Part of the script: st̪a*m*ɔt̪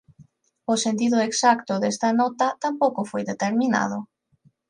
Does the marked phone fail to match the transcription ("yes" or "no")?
yes